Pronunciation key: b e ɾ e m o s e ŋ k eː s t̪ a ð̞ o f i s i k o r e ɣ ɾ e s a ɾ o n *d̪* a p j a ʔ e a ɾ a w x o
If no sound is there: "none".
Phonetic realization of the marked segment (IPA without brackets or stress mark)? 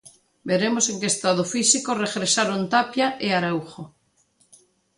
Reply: t̪